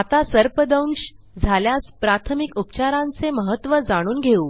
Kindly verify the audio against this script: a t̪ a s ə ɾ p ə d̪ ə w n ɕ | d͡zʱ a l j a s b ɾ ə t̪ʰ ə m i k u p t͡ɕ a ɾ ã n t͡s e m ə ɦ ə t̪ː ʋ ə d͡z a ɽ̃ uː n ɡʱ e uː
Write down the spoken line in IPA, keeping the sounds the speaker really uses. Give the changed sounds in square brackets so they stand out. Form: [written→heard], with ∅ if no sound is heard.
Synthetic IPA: a t̪ a s ə ɾ p ə d̪ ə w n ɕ | d͡zʱ a l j a s [b→p] ɾ [ə→a] t̪ʰ ə m i k u p t͡ɕ a ɾ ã n t͡s e m ə ɦ ə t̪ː ʋ ə d͡z a ɽ̃ uː n ɡʱ e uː